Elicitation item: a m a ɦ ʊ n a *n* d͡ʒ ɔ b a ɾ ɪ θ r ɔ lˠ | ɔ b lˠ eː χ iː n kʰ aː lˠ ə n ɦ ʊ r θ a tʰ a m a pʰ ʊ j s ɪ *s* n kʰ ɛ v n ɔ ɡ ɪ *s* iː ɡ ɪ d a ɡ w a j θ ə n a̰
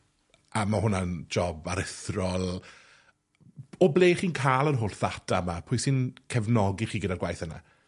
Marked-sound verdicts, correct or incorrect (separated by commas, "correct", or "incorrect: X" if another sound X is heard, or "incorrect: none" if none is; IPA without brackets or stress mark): correct, incorrect: none, incorrect: χ